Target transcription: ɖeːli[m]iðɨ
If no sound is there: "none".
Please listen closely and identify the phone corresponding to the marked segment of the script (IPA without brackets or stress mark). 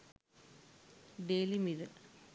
m